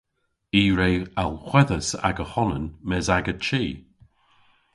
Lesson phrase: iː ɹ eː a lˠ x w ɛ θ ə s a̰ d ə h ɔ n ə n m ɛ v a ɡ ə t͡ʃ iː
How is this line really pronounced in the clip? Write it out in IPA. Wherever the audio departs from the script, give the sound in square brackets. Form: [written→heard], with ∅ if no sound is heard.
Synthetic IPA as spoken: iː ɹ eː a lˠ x w ɛ [θ→ð] ə s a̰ [d→ɡ] ə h ɔ n ə n m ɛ [v→z] a ɡ ə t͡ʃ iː